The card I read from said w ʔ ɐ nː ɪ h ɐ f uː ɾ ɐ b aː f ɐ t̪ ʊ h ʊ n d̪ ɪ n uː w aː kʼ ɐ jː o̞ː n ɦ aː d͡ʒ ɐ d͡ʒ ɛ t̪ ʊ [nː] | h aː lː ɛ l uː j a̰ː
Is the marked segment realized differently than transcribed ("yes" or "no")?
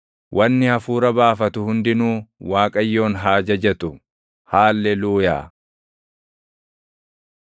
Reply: yes